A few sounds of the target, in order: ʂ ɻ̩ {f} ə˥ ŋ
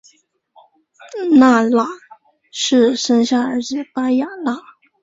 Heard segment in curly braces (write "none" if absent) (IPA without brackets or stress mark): ʂ